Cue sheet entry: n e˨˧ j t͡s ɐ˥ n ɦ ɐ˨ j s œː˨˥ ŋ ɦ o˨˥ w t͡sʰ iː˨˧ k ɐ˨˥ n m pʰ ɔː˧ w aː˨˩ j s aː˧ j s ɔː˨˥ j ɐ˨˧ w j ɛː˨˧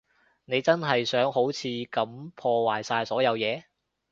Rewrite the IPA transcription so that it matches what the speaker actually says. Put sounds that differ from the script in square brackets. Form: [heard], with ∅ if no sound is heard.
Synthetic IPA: n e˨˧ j t͡s ɐ˥ n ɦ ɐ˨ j s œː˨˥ ŋ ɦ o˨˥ w t͡sʰ iː˨˧ k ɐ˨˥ [∅] m pʰ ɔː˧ w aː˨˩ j s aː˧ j s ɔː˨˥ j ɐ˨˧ w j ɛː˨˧